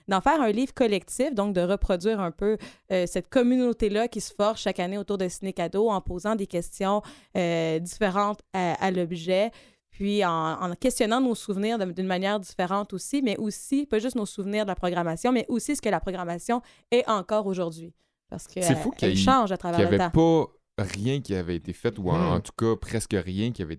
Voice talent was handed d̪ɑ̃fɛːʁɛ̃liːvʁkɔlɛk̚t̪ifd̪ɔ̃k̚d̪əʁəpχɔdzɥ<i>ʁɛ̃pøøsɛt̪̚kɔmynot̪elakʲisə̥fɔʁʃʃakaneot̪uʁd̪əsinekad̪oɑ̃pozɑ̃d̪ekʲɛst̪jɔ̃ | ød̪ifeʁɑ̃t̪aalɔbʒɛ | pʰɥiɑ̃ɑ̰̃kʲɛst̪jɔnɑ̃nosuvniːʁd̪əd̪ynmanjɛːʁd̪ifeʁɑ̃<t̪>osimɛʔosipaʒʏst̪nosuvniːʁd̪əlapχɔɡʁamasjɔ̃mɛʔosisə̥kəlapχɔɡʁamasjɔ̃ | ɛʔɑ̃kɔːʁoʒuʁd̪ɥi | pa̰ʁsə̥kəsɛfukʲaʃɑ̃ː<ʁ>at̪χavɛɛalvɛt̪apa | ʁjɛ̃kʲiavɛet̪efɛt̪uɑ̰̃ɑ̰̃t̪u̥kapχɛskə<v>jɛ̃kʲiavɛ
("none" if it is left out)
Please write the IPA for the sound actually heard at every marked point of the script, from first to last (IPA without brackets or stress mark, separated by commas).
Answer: iː, t̪, ʒ, ʁ